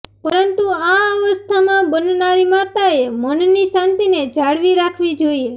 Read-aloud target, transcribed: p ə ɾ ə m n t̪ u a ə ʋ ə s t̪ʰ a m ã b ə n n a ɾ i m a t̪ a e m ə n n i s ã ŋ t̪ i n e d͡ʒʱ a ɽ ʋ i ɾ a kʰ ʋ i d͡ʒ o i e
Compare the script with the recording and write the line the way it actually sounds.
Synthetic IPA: p ə ɾ ə n t̪ u a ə ʋ ə s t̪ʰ a m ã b ə n n a ɾ i m a t̪ a e m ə n n i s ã n t̪ i n e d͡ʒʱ a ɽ ʋ i ɾ a kʰ ʋ i d͡ʒ o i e